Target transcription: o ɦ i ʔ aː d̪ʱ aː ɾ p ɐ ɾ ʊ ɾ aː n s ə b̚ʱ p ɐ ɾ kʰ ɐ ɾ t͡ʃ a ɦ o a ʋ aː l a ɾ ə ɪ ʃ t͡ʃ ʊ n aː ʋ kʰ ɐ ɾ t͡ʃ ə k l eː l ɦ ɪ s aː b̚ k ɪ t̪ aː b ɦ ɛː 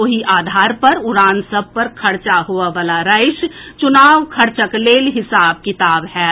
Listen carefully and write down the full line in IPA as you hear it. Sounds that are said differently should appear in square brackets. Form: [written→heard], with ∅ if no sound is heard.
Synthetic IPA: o ɦ i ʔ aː d̪ʱ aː ɾ p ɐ ɾ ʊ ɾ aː n s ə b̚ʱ p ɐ ɾ kʰ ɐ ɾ t͡ʃ a ɦ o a ʋ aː l a ɾ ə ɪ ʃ t͡ʃ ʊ n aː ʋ kʰ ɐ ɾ t͡ʃ ə k l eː l ɦ ɪ s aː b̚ k ɪ t̪ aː b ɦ ɛː